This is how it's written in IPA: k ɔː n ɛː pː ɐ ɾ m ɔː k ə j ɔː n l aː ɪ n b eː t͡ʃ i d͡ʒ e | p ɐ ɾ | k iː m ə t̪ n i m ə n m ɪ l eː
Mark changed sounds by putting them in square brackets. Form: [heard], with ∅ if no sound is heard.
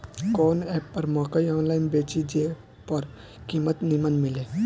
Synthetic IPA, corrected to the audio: k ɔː n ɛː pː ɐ ɾ m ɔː k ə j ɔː n l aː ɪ n b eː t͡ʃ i d͡ʒ e | p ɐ ɾ | k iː m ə t̪ n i m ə n m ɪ l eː